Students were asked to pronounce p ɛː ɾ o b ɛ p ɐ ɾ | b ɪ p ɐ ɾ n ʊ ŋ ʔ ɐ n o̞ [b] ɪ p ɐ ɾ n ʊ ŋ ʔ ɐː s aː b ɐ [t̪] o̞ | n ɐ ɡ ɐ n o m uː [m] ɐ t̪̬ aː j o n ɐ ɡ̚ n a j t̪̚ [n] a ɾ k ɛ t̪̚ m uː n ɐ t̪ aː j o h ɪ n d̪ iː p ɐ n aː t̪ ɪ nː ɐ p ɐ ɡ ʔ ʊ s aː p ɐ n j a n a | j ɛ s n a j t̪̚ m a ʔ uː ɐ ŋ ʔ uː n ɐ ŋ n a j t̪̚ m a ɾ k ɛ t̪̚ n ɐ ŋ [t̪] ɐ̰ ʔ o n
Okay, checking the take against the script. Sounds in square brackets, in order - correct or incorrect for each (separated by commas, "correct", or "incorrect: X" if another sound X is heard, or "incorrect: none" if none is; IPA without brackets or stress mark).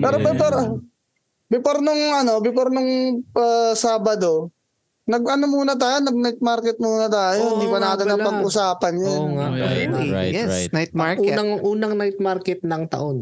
correct, incorrect: d̪, incorrect: n, incorrect: m, correct